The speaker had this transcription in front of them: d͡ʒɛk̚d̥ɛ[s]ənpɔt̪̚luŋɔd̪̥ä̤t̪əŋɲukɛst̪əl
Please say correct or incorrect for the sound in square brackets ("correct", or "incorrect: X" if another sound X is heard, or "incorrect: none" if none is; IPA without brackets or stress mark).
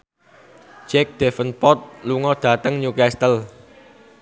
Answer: incorrect: f